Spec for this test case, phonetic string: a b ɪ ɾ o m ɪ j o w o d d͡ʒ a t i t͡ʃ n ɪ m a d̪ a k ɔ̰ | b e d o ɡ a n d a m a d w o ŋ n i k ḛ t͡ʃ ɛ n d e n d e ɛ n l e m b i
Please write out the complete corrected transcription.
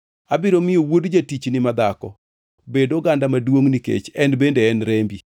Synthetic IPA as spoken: a b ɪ ɾ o m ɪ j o w o d d͡ʒ a t i t͡ʃ n ɪ m a d̪ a k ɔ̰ | b e d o ɡ a n d a m a d w o ŋ n i k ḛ t͡ʃ ɛ n b e n d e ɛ n ɾ e m b i